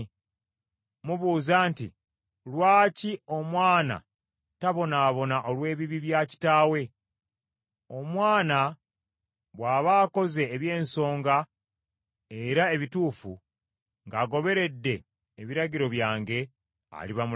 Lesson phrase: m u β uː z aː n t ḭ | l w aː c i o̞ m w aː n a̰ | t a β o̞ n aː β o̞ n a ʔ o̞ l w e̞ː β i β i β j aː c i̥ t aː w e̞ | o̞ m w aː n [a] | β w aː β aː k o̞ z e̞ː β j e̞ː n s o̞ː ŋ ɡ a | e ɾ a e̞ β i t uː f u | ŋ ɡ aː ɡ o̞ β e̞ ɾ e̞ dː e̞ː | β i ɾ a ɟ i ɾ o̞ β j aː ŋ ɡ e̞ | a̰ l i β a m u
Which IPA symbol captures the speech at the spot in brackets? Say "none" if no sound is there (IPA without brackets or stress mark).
a